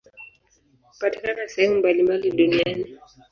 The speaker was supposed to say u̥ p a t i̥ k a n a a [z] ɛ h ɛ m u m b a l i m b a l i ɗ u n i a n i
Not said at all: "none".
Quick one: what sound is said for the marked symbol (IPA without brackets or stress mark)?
s